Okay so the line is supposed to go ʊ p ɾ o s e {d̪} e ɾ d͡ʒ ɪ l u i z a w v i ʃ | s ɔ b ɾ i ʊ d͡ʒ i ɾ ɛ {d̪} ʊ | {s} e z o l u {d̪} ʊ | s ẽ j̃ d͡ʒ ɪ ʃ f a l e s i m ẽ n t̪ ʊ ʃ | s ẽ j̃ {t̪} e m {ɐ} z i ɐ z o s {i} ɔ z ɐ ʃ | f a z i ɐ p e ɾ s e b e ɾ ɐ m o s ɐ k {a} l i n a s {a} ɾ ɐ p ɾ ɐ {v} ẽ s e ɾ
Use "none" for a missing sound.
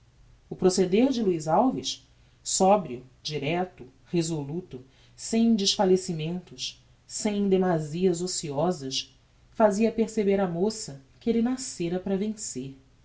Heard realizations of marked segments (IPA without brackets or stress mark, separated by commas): d̪, t̪, h, t̪, d̪, a, i, e, e, v